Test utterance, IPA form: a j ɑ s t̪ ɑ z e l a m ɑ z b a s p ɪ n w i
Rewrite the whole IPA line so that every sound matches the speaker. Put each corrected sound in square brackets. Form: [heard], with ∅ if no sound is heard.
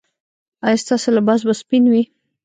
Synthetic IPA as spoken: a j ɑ s t̪ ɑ [s] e l a [b] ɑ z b a s p [i] n w i